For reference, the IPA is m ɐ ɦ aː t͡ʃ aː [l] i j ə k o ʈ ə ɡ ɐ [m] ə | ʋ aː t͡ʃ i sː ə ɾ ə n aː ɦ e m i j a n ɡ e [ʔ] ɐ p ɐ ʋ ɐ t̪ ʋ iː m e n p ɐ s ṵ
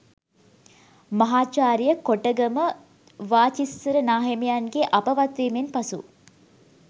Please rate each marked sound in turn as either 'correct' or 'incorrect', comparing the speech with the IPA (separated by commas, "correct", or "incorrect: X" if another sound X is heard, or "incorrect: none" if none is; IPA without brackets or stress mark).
incorrect: ɾ, correct, correct